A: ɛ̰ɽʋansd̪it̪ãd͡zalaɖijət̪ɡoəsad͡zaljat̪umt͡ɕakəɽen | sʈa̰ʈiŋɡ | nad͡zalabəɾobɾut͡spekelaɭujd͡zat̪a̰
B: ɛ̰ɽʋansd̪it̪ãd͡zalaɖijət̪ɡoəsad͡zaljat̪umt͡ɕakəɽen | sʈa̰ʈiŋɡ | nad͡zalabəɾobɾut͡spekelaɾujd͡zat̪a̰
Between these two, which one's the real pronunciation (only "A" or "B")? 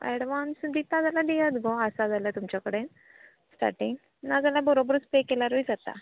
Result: B